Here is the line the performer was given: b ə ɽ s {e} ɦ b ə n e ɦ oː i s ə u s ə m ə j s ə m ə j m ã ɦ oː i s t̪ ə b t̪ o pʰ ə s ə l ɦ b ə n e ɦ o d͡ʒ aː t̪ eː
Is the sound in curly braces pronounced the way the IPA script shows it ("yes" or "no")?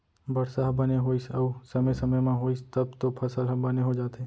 no